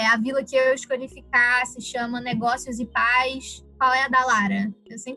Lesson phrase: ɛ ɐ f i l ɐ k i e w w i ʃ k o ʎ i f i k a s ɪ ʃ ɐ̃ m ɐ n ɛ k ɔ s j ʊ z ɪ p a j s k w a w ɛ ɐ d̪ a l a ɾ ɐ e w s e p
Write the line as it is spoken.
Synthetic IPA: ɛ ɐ v i l ɐ k ɪ e w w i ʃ k o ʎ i f i k a s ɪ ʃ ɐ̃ m ɐ n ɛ ɡ ɔ s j ʊ z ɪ p a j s k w a w ɛ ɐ d̪ a l a ɾ ɐ e w s ẽ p